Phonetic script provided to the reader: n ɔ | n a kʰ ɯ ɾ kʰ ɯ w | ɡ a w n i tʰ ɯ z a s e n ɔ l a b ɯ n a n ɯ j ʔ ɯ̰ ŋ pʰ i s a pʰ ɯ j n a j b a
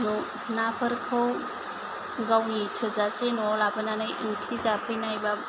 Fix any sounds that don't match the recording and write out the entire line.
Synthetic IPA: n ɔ | n a pʰ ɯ ɾ kʰ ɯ w | ɡ a w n i tʰ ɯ z a s e n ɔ l a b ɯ n a n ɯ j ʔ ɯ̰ ŋ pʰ i z a pʰ ɯ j n a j b a